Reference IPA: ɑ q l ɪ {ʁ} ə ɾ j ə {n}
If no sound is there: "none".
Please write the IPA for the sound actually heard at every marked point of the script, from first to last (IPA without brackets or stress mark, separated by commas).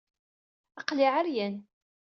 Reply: ʕ, n